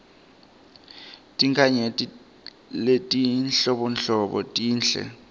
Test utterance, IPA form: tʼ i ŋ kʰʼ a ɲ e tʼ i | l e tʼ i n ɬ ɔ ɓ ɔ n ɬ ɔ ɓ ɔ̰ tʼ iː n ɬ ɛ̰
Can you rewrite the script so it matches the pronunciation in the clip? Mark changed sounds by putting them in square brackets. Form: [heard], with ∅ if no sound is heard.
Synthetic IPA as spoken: tʼ i ŋ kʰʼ a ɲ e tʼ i | l e tʼ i n ɬ ɔ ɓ ɔ n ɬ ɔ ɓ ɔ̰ tʼ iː n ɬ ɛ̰